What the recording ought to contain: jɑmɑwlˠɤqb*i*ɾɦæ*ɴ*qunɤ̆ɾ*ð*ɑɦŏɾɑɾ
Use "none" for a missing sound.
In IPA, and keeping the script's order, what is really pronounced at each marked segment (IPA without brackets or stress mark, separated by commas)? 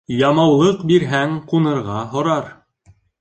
i, ŋ, ʁ